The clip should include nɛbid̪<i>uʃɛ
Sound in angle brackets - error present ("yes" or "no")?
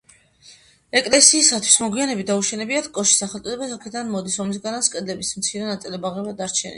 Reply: yes